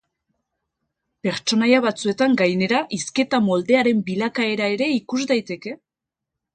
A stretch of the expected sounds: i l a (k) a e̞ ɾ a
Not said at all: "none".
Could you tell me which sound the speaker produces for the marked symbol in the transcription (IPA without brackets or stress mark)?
k